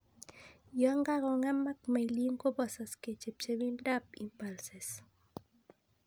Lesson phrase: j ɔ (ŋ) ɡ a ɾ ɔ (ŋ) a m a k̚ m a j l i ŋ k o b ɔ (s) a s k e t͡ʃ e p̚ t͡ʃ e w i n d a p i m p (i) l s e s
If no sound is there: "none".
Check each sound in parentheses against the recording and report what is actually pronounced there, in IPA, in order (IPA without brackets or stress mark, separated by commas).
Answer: ŋ, ŋ, s, a